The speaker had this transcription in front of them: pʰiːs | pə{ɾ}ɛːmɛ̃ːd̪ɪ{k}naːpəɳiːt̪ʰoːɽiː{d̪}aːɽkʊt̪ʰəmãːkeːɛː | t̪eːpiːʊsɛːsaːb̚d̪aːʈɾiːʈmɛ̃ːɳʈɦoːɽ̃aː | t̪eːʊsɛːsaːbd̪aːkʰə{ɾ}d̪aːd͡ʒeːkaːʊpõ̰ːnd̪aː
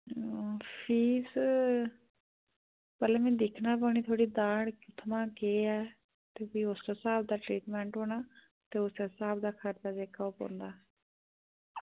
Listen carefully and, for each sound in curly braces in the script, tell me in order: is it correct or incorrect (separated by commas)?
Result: incorrect, incorrect, correct, correct